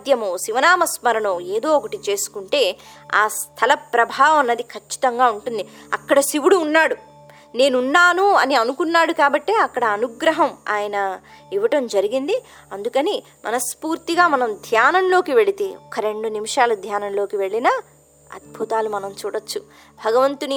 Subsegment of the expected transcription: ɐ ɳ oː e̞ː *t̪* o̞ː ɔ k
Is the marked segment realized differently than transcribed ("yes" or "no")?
yes